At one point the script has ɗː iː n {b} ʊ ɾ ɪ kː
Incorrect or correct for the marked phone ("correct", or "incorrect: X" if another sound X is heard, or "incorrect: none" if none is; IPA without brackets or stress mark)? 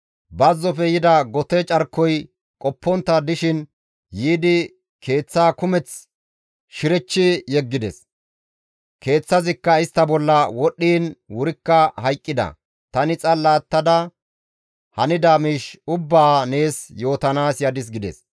incorrect: w